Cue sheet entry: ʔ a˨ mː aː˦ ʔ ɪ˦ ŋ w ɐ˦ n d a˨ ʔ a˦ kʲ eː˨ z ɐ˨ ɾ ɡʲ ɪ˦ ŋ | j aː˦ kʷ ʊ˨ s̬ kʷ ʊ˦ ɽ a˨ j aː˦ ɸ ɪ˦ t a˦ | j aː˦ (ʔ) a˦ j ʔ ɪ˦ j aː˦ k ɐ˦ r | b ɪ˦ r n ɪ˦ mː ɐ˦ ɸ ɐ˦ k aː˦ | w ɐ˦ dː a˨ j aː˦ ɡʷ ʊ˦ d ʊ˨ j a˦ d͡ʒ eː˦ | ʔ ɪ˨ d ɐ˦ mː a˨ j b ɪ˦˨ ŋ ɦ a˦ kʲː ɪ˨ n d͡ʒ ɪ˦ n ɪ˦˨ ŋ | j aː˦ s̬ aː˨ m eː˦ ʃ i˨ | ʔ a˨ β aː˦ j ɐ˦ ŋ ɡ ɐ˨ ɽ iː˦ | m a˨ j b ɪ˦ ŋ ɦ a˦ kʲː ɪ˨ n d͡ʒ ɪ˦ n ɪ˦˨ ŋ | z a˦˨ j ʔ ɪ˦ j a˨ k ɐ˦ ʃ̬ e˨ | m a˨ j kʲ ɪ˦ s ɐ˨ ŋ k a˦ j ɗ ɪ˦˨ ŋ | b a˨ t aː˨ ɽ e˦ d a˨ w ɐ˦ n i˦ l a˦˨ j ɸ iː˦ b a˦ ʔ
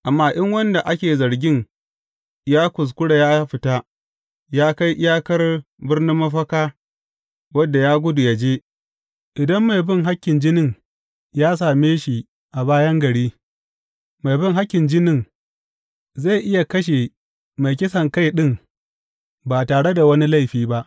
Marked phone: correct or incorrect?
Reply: incorrect